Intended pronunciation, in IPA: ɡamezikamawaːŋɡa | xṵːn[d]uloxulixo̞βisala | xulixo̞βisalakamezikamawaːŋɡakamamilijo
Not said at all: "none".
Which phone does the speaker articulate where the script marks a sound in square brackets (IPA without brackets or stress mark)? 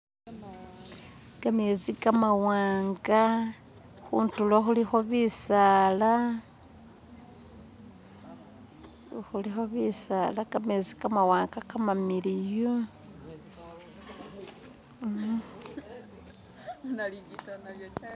t